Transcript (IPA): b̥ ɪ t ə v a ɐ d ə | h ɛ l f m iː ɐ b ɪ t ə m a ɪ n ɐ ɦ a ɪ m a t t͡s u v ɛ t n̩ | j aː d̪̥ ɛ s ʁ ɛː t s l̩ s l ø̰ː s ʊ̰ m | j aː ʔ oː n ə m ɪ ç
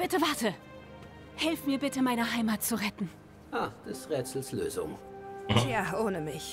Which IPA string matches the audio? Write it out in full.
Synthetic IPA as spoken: b̥ ɪ t ə v a ɐ t ə | h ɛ l f m iː ɐ b ɪ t ə m a ɪ n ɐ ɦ a ɪ m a t t͡s u ʁ ɛ t n̩ | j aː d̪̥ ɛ s ʁ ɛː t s l̩ s l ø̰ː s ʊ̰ ŋ | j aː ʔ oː n ə m ɪ ç